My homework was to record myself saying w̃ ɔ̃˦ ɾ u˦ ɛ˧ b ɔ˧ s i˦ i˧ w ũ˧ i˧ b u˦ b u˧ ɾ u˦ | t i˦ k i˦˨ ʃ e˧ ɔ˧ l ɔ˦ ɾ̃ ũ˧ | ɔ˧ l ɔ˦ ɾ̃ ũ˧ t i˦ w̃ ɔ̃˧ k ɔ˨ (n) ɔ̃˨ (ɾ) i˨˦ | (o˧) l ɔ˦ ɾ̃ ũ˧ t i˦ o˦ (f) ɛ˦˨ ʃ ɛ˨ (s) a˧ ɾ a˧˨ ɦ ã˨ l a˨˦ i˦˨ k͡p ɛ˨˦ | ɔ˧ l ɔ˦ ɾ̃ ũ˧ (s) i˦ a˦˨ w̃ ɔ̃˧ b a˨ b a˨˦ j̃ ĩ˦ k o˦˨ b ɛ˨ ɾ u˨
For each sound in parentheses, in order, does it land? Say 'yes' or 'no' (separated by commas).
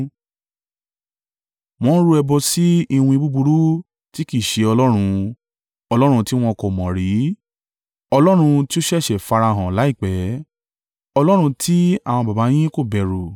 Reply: no, yes, no, no, no, no